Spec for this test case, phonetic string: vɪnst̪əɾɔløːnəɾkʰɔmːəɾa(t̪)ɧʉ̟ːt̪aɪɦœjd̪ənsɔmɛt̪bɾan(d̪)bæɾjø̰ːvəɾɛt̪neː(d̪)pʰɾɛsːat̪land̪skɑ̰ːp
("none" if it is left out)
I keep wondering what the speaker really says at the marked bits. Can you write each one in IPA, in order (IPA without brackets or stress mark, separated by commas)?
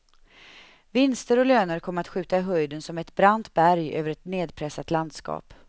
t̪, t̪, d̪